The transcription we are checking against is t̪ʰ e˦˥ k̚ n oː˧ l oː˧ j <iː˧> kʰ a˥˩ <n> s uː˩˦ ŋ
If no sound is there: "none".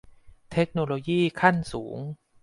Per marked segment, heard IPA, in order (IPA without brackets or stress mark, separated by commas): iː˥˩, n